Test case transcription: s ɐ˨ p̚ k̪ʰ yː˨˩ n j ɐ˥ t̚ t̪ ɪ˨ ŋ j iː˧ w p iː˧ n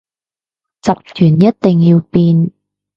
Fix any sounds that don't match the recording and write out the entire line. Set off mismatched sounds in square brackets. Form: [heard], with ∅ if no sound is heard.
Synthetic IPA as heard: [t͡s] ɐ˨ p̚ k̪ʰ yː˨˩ n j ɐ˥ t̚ t̪ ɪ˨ ŋ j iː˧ w p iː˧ n